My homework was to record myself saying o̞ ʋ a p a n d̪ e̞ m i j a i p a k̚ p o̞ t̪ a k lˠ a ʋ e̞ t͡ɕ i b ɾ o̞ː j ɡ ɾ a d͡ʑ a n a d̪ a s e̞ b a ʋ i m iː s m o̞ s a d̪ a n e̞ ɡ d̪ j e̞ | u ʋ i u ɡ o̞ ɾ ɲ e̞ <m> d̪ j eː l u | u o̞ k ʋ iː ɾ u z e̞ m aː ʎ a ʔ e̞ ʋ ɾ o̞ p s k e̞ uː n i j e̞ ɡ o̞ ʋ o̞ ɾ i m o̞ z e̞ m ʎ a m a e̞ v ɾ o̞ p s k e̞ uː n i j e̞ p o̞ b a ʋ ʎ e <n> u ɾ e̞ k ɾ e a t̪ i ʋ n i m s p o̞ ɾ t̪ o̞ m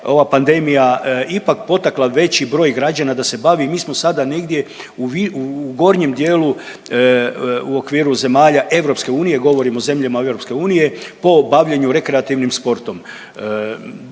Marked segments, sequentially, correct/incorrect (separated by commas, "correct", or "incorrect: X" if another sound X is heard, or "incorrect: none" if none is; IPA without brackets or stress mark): correct, incorrect: ɲ